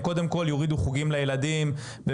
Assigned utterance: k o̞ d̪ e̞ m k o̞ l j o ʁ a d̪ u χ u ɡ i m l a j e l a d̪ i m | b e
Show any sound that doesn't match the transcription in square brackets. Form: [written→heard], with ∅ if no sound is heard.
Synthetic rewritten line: k o̞ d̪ e̞ m k o̞ l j o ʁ [a→i] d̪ u χ u ɡ i m l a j e l a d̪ i m | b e